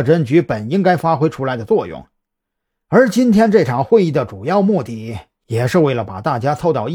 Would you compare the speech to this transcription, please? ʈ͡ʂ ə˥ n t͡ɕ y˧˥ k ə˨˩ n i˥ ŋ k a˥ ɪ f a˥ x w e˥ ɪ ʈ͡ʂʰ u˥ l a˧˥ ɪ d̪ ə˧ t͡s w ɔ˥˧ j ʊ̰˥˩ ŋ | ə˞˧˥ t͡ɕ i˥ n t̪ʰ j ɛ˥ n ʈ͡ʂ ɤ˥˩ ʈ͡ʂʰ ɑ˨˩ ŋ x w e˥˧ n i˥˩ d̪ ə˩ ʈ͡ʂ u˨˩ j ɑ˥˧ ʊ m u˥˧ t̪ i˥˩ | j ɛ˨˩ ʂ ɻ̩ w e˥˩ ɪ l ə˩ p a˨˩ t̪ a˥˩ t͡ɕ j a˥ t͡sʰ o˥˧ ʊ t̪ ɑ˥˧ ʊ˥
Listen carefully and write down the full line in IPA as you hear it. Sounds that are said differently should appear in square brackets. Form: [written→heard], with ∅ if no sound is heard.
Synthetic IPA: ʈ͡ʂ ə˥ n t͡ɕ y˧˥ [k→p] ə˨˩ n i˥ ŋ k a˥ ɪ f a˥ x w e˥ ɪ ʈ͡ʂʰ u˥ l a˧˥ ɪ d̪ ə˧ t͡s w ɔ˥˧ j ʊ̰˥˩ ŋ | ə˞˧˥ t͡ɕ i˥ n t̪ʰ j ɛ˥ n ʈ͡ʂ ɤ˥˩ ʈ͡ʂʰ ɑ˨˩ ŋ x w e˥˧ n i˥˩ d̪ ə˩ ʈ͡ʂ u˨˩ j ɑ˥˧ ʊ m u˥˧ t̪ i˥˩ | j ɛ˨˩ ʂ ɻ̩ w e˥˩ ɪ l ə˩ p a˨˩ t̪ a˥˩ t͡ɕ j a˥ t͡sʰ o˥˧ ʊ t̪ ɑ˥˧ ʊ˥